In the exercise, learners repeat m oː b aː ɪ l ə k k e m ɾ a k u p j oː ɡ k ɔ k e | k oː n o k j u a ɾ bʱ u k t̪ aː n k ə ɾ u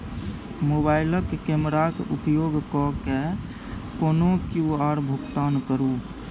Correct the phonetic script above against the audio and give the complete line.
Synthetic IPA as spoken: m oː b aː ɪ l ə k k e m ɾ a k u p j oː ɡ k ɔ k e | k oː n o k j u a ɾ bʱ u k t̪ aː n k ə ɾ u